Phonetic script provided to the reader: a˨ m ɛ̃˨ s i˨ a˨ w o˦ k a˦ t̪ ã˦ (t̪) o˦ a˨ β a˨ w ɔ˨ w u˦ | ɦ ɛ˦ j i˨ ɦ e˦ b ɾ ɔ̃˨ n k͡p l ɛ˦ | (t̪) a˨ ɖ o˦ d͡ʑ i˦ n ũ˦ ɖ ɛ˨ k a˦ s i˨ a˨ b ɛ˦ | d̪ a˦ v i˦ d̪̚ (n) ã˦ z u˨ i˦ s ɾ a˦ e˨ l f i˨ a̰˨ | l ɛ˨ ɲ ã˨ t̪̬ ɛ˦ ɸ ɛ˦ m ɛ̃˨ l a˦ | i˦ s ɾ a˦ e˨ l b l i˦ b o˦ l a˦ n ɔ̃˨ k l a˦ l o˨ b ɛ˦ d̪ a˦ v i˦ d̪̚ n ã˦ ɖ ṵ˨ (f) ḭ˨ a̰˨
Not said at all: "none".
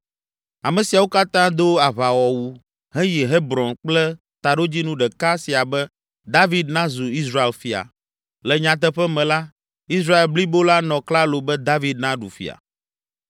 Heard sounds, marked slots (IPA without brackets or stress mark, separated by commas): d̪, t̪, n, f